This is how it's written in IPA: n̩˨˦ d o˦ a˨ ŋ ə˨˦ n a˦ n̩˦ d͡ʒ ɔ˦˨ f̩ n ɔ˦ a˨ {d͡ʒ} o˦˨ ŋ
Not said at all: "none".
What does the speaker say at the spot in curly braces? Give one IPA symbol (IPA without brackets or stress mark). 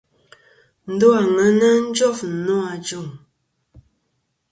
d͡ʒ